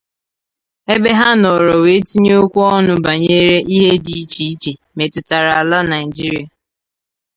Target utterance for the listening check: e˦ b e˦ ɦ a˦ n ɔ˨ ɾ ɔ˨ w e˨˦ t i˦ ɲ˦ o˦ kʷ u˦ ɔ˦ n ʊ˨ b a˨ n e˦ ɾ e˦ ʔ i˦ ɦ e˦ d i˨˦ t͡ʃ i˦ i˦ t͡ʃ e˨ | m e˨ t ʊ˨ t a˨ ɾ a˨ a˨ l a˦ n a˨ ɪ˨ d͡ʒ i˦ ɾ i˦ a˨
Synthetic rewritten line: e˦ b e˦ ɦ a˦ n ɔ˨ ɾ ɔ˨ w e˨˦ t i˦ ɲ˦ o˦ kʷ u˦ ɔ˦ n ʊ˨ b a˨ ɲ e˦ ɾ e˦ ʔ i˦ ɦ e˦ d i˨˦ t͡ʃ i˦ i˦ t͡ʃ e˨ | m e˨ t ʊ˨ t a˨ ɾ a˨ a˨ l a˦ n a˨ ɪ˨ d͡ʒ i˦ ɾ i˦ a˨